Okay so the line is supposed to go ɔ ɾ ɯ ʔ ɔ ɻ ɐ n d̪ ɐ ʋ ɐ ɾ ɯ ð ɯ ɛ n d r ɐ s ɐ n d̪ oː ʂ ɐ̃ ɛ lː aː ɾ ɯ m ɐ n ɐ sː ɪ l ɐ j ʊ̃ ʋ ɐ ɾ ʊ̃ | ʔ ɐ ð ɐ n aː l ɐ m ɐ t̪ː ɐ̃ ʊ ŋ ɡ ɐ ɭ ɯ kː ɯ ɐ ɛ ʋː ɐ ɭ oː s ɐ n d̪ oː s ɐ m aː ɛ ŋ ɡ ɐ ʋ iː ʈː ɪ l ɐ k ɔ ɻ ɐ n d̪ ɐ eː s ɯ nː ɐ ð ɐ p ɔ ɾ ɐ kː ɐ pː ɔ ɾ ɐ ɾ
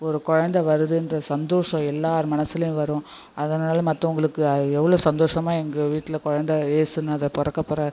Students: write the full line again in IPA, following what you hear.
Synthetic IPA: ɔ ɾ ɯ k ɔ ɻ ɐ n d̪ ɐ ʋ ɐ ɾ ɯ ð ɯ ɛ n d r ɐ s ɐ n d̪ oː ʂ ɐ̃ ɛ lː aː ɾ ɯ m ɐ n ɐ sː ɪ l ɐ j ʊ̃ ʋ ɐ ɾ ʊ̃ | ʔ ɐ ð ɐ n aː l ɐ m ɐ t̪ː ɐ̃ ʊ ŋ ɡ ɐ ɭ ɯ kː ɯ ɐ ɛ ʋː ɐ ɭ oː s ɐ n d̪ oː ʂ ɐ m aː ɛ ŋ ɡ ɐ ʋ iː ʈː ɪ l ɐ k ɔ ɻ ɐ n d̪ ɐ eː s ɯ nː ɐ ð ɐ p ɔ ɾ ɐ kː ɐ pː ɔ ɾ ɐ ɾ